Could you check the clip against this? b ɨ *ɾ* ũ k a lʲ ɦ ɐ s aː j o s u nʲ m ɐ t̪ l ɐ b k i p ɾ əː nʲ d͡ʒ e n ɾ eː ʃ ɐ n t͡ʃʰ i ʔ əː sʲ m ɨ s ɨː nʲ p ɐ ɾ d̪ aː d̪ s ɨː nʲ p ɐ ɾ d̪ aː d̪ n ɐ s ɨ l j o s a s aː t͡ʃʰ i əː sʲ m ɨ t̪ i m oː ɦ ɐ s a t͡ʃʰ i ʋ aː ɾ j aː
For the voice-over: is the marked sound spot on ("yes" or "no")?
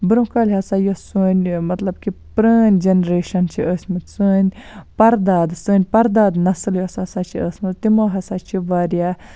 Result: yes